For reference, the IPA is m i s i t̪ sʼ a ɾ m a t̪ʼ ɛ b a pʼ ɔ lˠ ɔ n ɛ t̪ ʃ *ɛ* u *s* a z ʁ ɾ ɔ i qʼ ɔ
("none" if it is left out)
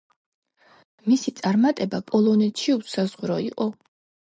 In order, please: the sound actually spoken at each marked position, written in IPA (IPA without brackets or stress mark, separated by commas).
i, s